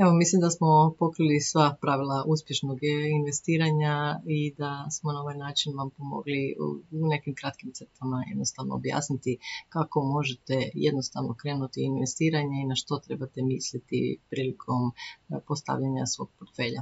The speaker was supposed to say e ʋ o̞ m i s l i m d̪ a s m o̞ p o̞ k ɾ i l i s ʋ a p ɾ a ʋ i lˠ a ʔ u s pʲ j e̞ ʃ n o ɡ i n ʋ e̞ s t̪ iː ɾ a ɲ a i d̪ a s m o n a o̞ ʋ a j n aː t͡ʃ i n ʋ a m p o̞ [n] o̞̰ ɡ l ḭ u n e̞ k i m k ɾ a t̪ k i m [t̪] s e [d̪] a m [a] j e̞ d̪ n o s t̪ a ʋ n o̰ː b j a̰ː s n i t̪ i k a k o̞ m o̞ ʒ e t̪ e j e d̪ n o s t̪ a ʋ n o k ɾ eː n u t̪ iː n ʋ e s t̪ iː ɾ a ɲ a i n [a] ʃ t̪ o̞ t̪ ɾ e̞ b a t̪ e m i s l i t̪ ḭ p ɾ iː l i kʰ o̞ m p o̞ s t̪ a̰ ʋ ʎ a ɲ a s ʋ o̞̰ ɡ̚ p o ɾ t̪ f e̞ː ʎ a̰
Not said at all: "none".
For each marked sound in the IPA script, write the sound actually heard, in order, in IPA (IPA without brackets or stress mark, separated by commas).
m, t̪, t̪, a, a